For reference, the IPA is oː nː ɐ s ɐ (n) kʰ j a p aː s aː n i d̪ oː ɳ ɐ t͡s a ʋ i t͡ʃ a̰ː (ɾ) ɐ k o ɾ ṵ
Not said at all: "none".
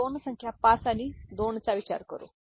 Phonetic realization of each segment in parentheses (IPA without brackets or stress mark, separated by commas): ŋ, ɾ